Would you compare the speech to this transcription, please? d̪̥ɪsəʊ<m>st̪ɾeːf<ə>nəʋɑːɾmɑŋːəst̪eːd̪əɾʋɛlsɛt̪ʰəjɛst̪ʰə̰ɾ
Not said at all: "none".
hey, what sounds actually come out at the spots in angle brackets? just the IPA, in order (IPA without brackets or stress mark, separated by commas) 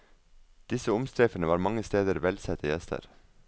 m, ə